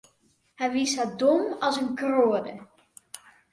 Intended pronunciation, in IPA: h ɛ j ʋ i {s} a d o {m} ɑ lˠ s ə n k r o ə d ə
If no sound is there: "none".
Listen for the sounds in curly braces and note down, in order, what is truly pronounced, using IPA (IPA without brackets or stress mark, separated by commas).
s, m